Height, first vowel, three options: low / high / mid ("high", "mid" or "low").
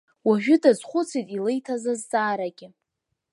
low